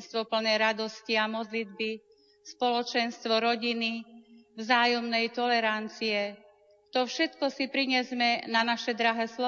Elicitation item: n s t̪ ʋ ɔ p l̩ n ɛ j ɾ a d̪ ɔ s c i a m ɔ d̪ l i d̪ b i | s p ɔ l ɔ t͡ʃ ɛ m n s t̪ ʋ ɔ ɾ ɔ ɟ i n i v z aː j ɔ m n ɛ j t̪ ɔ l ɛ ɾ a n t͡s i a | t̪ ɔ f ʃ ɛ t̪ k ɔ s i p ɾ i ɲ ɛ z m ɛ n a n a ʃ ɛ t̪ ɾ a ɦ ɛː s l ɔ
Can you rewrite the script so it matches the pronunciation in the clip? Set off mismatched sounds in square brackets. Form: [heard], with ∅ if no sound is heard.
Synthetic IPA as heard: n s t̪ ʋ ɔ p l̩ n ɛ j ɾ a d̪ ɔ s c i a m ɔ d̪ l i d̪ b i | s p ɔ l ɔ t͡ʃ ɛ [∅] n s t̪ ʋ ɔ ɾ ɔ ɟ i n i v z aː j ɔ m n ɛ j t̪ ɔ l ɛ ɾ a n t͡s i [ɛ] | t̪ ɔ f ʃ ɛ t̪ k ɔ s i p ɾ i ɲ ɛ z m ɛ n a n a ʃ ɛ [d̪] ɾ a ɦ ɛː s l ɔ